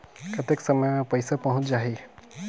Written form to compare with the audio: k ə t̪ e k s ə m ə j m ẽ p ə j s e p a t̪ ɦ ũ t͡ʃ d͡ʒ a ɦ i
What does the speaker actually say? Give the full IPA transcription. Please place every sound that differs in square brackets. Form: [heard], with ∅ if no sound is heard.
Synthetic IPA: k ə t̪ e k s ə m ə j m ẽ p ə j s [a] p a [∅] ɦ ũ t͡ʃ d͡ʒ a ɦ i